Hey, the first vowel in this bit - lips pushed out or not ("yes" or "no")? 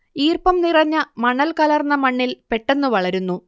no